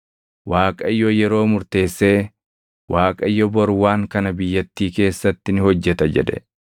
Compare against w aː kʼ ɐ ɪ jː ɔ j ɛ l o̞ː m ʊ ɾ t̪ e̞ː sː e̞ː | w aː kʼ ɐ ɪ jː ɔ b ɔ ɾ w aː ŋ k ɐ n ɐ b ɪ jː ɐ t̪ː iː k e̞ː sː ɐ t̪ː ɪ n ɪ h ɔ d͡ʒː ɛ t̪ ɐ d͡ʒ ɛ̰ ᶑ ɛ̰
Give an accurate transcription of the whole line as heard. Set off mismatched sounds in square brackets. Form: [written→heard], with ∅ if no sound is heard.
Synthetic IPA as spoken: w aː kʼ ɐ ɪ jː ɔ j ɛ [l→ɾ] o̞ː m ʊ ɾ t̪ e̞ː sː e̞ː | w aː kʼ ɐ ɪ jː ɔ b ɔ ɾ w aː ŋ k ɐ n ɐ b ɪ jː ɐ t̪ː iː k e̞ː sː ɐ t̪ː ɪ n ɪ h ɔ d͡ʒː ɛ t̪ ɐ d͡ʒ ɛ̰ ᶑ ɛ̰

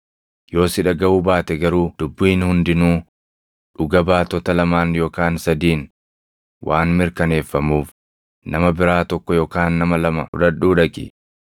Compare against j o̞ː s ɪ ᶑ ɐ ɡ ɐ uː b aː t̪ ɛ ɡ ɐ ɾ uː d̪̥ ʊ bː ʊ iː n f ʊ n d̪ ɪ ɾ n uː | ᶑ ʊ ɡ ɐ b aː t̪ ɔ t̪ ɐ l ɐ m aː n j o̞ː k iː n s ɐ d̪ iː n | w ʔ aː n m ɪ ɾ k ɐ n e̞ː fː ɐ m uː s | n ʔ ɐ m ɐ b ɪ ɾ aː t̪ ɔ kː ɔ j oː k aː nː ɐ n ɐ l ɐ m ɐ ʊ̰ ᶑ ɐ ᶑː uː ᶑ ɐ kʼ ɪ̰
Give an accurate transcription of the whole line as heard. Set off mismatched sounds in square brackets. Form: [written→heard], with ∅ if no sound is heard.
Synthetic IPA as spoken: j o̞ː s ɪ ᶑ ɐ ɡ ɐ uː b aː t̪ ɛ ɡ ɐ ɾ uː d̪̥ ʊ bː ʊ iː n [f→h] ʊ n d̪ ɪ [ɾ→∅] n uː | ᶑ ʊ ɡ ɐ b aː t̪ ɔ t̪ ɐ l ɐ m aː n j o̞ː k [iː→aː] n s ɐ d̪ iː n | w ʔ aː n m ɪ ɾ k ɐ n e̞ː fː ɐ m uː [s→f] | n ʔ ɐ m ɐ b ɪ ɾ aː t̪ ɔ kː ɔ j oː k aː nː ɐ [n→m] ɐ l ɐ m ɐ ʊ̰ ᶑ ɐ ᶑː uː ᶑ ɐ kʼ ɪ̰

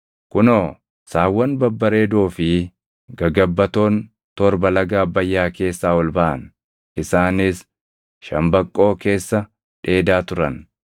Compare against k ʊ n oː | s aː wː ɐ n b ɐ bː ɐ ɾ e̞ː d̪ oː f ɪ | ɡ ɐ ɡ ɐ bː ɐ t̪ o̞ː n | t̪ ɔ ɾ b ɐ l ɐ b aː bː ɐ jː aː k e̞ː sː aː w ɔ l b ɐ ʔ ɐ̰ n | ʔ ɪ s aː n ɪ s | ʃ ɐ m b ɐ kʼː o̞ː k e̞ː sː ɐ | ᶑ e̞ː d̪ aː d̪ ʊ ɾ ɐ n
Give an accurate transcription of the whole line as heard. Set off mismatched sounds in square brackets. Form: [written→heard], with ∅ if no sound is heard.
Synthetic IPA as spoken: k ʊ n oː | s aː wː ɐ n b ɐ bː ɐ ɾ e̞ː d̪ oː f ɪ | ɡ ɐ ɡ ɐ bː ɐ t̪ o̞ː n | t̪ ɔ ɾ b ɐ l ɐ [b→ɡ] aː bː ɐ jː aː k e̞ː sː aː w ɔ l b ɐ ʔ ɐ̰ n | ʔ ɪ s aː n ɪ s | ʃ ɐ m b ɐ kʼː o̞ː k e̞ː sː ɐ | ᶑ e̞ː d̪ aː [d̪→t̪] ʊ ɾ ɐ n

